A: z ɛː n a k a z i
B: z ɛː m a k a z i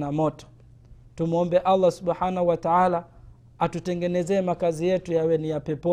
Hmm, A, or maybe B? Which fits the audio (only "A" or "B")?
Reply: B